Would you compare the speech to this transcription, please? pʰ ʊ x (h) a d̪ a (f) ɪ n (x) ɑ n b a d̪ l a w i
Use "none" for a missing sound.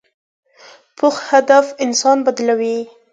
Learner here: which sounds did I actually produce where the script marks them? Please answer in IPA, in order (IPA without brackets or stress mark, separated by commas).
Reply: h, f, s